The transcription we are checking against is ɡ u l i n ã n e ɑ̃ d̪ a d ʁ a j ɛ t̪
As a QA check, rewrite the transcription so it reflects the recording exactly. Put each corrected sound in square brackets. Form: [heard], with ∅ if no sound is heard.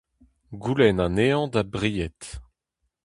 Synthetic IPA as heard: ɡ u l [ɛ] n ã n e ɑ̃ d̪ a [b] ʁ [i] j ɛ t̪